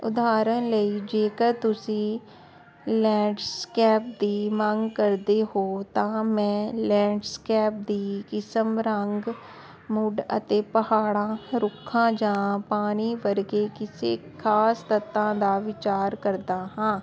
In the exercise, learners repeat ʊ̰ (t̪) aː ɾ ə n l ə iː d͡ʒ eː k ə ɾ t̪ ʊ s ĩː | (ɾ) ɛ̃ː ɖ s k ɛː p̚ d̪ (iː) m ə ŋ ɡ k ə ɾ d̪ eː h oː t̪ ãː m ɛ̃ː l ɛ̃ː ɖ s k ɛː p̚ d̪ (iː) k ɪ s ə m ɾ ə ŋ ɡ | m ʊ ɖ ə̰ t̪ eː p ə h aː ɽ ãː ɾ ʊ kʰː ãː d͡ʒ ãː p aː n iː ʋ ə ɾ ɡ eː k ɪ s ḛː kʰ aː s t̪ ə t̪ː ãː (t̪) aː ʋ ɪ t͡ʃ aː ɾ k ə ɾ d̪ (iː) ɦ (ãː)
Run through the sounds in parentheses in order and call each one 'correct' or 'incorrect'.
incorrect: d̪, incorrect: l, correct, correct, incorrect: d̪, incorrect: aː, correct

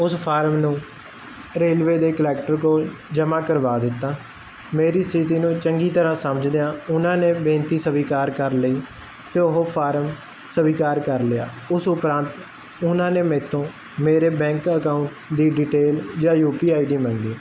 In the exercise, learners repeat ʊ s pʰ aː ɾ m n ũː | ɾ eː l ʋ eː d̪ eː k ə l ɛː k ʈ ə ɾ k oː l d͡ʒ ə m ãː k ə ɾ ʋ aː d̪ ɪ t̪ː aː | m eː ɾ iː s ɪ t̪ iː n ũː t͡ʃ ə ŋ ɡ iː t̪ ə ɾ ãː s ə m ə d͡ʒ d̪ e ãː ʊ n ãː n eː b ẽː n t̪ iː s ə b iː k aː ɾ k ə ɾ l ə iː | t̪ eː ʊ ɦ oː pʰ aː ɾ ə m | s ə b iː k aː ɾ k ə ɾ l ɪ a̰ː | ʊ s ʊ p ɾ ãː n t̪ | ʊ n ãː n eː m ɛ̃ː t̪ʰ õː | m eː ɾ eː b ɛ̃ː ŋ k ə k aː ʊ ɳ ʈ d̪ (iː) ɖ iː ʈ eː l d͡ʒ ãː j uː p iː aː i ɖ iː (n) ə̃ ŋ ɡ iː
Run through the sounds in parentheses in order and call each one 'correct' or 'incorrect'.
correct, incorrect: m

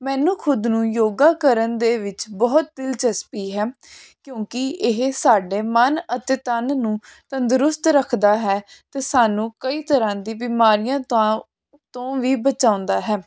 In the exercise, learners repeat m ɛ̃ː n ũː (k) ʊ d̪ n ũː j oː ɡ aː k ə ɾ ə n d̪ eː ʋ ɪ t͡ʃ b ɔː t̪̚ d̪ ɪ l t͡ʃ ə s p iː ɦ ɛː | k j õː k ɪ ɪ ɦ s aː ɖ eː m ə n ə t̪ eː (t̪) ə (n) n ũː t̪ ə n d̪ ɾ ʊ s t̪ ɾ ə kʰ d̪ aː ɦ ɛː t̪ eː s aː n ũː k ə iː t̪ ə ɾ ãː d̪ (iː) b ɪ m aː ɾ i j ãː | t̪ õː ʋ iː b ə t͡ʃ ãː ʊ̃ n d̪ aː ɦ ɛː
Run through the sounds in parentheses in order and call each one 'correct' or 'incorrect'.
incorrect: kʰ, correct, correct, correct

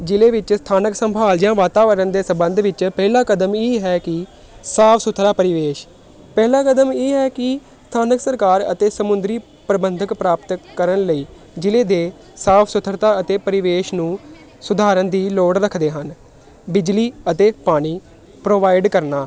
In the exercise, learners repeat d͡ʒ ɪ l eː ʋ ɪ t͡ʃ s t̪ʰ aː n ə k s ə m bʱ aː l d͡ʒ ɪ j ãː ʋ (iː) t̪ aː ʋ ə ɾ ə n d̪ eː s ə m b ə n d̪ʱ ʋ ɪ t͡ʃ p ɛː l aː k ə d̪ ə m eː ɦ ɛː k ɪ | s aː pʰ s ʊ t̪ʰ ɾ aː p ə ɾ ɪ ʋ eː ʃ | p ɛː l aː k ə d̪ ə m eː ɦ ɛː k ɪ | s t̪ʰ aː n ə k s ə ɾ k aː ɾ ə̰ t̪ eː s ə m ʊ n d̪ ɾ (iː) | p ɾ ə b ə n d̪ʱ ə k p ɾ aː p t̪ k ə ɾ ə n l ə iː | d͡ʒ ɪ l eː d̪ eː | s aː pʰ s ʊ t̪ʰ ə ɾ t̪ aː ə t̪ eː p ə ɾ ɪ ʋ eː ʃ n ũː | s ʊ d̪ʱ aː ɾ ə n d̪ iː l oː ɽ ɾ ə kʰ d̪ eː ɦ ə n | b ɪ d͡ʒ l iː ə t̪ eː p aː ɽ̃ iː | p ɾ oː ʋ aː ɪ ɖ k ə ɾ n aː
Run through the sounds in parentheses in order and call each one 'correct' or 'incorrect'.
incorrect: aː, correct

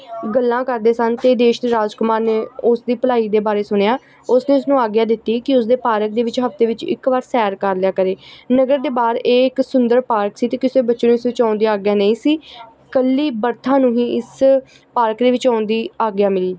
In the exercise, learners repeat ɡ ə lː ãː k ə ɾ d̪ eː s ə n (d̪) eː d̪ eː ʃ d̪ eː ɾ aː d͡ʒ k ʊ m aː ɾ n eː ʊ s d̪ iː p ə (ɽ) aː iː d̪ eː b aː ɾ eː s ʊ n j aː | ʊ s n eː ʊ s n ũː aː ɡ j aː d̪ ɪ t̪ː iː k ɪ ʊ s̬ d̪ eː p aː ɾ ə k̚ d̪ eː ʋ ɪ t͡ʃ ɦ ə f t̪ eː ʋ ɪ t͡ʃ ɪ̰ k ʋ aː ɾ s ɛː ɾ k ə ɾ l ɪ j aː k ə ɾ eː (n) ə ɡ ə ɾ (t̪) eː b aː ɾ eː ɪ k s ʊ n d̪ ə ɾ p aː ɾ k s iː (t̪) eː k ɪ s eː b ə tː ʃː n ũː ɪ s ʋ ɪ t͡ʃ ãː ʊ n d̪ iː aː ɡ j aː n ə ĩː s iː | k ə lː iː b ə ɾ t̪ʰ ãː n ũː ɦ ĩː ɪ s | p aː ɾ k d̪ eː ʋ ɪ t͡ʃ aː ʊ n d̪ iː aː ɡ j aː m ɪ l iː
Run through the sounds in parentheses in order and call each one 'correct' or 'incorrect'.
incorrect: t̪, incorrect: l, correct, incorrect: d̪, correct

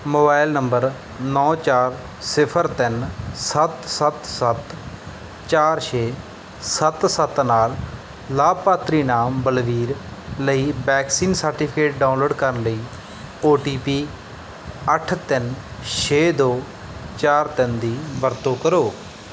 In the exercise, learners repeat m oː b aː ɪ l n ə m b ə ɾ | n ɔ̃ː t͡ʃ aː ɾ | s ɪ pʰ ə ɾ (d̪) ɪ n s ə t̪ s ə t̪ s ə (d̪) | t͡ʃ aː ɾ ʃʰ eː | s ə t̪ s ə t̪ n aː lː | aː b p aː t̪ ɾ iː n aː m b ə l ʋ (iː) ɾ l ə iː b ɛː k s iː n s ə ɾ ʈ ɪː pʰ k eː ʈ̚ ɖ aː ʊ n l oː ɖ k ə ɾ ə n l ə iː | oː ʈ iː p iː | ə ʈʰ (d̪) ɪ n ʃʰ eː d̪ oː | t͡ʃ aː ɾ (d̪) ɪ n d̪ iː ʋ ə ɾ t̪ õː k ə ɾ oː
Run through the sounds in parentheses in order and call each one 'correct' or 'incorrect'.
incorrect: t̪, incorrect: t̪, correct, incorrect: t̪, incorrect: t̪

